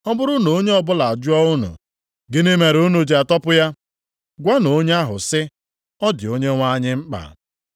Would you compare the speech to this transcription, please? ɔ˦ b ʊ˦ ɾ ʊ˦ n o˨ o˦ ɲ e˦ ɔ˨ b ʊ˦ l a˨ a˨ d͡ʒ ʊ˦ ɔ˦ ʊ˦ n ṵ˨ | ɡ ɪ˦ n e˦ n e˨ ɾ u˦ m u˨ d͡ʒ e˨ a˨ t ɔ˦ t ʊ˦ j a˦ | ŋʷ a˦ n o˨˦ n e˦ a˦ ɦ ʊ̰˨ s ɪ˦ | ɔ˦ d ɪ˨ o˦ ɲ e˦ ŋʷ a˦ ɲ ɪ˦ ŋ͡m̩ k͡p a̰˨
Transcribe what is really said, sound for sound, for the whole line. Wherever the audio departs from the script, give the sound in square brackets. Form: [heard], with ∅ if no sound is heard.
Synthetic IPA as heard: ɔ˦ b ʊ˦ ɾ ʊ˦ n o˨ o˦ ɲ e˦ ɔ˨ b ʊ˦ l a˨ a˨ d͡ʒ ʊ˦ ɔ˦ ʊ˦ n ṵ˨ | ɡ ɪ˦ n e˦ [m] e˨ ɾ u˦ [n] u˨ d͡ʒ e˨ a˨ t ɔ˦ [p] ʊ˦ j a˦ | [ɡʷ] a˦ n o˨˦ [ɲ] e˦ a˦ ɦ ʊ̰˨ s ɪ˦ | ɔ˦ d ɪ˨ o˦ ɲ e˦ ŋʷ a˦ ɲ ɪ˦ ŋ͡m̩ k͡p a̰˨

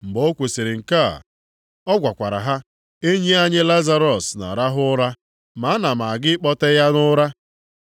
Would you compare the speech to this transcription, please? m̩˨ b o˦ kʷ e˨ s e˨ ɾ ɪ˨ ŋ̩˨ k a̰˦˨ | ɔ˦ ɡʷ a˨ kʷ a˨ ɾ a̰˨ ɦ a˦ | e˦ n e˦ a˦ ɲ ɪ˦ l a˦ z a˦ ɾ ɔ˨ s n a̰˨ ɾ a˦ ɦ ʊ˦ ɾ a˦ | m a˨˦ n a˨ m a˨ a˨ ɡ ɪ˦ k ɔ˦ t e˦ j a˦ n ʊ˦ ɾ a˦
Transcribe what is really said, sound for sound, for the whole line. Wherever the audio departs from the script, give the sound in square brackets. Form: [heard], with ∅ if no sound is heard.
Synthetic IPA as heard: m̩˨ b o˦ kʷ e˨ s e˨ ɾ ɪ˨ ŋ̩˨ k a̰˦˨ | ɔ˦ ɡʷ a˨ kʷ a˨ ɾ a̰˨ ɦ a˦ | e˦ [ɲ] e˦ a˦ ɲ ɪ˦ l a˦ z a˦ ɾ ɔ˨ s n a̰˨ ɾ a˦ ɦ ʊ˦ ɾ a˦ | m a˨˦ n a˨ m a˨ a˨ ɡ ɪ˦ [k͡p] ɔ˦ t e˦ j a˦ n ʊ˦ ɾ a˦

